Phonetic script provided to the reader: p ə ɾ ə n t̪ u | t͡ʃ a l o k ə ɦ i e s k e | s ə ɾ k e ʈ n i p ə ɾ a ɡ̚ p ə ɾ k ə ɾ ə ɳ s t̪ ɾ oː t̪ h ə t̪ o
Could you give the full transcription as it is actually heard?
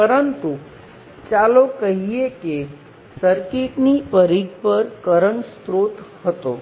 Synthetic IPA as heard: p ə ɾ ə n t̪ u | t͡ʃ a l o k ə ɦ i e k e | s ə ɾ k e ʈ n i p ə ɾ i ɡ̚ p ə ɾ k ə ɾ ə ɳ s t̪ ɾ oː t̪ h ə t̪ o